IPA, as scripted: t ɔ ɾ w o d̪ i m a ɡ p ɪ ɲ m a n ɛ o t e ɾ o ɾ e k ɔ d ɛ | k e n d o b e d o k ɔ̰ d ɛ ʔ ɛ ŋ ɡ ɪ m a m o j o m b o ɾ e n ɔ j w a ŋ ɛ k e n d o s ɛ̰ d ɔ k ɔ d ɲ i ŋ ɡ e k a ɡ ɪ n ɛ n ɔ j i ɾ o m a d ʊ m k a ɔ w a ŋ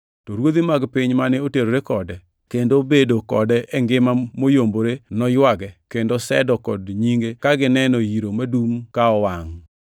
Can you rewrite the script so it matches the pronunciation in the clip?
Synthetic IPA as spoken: t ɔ ɾ w o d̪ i m a ɡ p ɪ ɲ m a n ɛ o t e ɾ o ɾ e k ɔ d ɛ | k e n d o b e d o k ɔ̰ d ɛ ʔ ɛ ŋ ɡ ɪ m a m o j o m b o ɾ e n ɔ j w a ɡ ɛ k e n d o s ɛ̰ d ɔ k ɔ d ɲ i ŋ ɡ e k a ɡ ɪ n ɛ n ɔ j i ɾ o m a d u m k a ɔ w a ŋ

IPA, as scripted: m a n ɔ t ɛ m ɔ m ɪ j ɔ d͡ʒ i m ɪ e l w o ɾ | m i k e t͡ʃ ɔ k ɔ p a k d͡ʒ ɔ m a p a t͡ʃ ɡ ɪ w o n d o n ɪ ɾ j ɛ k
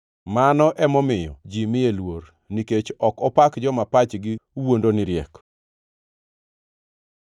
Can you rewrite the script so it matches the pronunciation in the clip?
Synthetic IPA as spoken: m a n ɔ ʔ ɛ m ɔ m ɪ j ɔ d͡ʒ i m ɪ e l w o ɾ | n i k e t͡ʃ ɔ k ɔ p a k d͡ʒ ɔ m a p a t͡ʃ ɡ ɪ w o n d o n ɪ ɾ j ɛ k

